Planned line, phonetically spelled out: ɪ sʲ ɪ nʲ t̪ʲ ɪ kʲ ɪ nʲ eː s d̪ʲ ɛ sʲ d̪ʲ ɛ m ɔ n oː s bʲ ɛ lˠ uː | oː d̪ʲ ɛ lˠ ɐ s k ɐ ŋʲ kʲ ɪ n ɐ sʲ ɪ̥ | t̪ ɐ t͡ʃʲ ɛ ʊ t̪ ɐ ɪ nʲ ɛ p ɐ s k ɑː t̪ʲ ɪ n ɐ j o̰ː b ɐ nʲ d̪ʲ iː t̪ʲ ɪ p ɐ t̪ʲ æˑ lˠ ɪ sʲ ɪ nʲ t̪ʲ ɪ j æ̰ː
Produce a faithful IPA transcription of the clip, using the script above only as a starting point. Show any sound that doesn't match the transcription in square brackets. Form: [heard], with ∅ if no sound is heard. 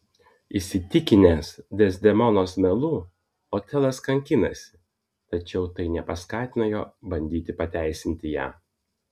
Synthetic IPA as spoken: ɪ sʲ ɪ [∅] t̪ʲ ɪ kʲ ɪ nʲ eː s d̪ʲ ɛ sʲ d̪ʲ ɛ m ɔ n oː s [mʲ] ɛ lˠ uː | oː [t̪ʲ] ɛ lˠ ɐ s k ɐ ŋʲ kʲ ɪ n ɐ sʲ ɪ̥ | t̪ ɐ t͡ʃʲ ɛ ʊ t̪ ɐ ɪ nʲ ɛ p ɐ s k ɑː t̪ʲ ɪ n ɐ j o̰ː b ɐ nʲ d̪ʲ iː t̪ʲ ɪ p ɐ t̪ʲ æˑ [∅] ɪ sʲ ɪ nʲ t̪ʲ ɪ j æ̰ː